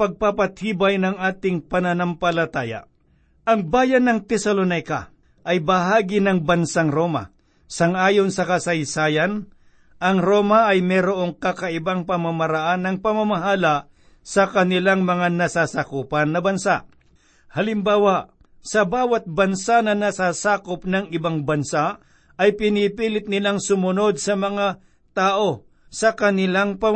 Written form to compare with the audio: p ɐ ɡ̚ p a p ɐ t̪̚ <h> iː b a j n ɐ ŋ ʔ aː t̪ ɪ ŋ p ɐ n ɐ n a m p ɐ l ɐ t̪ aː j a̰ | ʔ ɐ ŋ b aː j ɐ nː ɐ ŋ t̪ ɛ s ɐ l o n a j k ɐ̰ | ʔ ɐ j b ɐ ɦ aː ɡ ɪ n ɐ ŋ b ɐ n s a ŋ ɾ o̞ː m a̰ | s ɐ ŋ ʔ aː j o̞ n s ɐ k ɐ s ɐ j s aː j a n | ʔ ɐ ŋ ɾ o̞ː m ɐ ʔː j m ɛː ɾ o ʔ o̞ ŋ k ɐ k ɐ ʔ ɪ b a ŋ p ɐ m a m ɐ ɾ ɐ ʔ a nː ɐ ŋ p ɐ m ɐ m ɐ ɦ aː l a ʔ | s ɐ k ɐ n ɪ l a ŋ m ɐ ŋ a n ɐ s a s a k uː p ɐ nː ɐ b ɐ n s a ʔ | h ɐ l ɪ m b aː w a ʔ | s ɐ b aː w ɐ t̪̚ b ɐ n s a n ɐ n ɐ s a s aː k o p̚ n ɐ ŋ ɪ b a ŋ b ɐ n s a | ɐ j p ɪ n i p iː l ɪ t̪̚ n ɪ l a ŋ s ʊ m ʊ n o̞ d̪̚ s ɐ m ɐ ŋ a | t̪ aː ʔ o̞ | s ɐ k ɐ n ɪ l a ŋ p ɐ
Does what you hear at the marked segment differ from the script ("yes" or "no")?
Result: no